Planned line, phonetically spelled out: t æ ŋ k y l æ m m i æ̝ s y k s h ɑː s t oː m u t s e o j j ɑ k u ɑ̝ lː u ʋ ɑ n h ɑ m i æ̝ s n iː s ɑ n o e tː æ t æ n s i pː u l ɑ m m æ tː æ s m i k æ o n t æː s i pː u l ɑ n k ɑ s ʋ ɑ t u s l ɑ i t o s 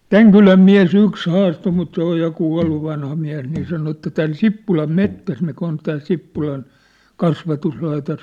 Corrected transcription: t æ ŋ k y l æ m m i æ̝ s y k s h ɑː s t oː m u t s e o j j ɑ k u ɑ̝ lː u ʋ ɑ n h ɑ m i æ̝ s n iː s ɑ n o e tː æ t æ n s i pː u l ɑ m m e tː æ s m i k æ o n t æː s i pː u l ɑ n k ɑ s ʋ ɑ t u s l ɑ i t o s